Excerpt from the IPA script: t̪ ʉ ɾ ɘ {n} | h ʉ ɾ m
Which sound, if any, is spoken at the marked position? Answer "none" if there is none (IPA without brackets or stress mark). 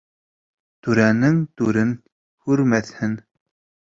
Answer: n